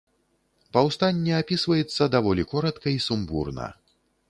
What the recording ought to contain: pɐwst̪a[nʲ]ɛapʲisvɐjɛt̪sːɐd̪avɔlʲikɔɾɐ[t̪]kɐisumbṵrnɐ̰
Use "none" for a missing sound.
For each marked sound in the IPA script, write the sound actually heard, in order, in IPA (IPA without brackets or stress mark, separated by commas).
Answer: nʲː, t̪